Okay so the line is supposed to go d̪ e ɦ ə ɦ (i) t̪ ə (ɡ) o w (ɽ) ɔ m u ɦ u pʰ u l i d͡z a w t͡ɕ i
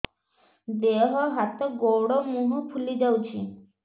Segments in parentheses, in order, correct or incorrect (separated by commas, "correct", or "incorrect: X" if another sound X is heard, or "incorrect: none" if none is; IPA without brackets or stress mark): incorrect: a, correct, correct